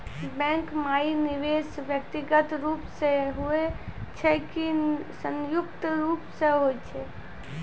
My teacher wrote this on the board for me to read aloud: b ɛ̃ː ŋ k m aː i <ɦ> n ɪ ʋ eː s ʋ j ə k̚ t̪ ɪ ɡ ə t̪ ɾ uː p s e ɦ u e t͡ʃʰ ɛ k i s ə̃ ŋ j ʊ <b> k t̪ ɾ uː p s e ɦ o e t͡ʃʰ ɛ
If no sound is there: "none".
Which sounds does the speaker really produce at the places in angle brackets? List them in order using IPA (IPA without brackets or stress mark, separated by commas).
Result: none, none